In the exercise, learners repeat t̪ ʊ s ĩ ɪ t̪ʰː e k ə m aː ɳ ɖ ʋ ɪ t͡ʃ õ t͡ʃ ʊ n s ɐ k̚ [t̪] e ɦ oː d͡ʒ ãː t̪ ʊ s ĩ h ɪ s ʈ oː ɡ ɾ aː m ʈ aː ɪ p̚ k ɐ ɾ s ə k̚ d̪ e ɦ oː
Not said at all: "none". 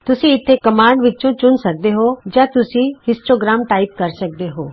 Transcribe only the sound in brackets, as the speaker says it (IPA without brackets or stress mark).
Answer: d̪